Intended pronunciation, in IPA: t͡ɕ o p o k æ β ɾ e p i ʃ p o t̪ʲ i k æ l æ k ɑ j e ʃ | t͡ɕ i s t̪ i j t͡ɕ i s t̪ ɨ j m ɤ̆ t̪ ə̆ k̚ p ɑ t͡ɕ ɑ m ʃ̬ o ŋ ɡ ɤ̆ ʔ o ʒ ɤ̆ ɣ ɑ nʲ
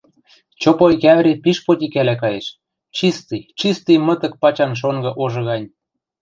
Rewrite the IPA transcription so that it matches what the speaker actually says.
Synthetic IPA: t͡ɕ o p o k æ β ɾ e p i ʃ p o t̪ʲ i k æ l æ k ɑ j e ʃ | t͡ɕ i s t̪ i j t͡ɕ i s t̪ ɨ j m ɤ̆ t̪ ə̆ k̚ p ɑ t͡ɕ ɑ n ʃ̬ o ŋ ɡ ɤ̆ ʔ o ʒ ɤ̆ ɣ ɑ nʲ